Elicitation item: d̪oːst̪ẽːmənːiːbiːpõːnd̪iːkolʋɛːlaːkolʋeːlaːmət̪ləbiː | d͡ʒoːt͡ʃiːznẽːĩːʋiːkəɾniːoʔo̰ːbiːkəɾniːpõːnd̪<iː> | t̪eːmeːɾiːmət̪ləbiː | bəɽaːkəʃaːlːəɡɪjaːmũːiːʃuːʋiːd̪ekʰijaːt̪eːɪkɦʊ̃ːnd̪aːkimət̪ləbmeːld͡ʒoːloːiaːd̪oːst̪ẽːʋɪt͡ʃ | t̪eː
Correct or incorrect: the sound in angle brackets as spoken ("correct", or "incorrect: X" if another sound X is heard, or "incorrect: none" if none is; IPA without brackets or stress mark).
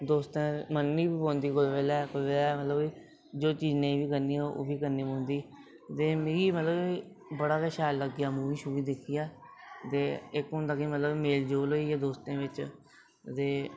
correct